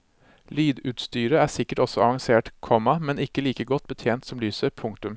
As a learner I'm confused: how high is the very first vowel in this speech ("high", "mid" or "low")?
high